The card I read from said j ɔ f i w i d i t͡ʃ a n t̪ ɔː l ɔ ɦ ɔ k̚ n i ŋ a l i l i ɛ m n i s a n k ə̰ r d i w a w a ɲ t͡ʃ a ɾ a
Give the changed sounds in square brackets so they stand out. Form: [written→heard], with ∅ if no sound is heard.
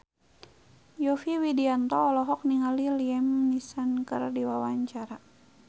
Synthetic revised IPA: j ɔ f i w i d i [t͡ʃ→∅] a n t̪ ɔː l ɔ ɦ ɔ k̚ n i ŋ a l i l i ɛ m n i s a n k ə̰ r d i w a w a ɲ t͡ʃ a ɾ a